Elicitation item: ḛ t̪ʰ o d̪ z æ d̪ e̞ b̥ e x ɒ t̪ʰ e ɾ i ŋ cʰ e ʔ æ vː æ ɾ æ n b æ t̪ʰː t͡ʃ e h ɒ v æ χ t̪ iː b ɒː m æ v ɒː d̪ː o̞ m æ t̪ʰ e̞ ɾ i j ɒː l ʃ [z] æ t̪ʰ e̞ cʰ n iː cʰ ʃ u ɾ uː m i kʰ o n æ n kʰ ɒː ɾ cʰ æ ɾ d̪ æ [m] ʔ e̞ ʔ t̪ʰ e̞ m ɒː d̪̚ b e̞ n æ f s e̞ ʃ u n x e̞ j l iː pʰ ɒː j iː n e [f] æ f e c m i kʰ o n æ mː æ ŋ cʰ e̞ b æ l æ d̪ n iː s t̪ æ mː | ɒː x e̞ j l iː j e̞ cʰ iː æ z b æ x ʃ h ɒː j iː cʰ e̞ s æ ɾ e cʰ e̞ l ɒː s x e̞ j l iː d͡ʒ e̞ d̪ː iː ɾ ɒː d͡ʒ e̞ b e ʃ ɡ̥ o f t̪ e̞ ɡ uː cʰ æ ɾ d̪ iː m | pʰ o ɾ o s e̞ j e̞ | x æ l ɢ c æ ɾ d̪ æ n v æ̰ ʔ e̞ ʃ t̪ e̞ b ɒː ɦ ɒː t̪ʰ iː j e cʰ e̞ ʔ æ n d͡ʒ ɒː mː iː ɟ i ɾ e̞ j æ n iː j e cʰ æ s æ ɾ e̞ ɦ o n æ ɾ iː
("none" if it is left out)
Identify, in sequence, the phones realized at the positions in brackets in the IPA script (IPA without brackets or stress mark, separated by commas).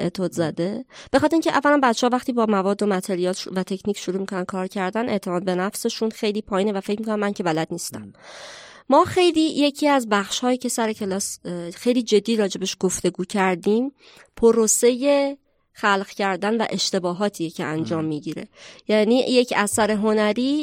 v, n, v